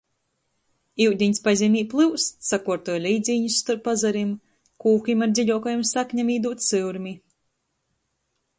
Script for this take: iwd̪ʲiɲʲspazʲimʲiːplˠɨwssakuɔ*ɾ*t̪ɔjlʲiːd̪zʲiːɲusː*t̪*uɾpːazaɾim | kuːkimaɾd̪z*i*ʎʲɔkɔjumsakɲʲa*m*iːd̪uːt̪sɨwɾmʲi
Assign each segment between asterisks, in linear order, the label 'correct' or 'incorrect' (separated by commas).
correct, correct, correct, correct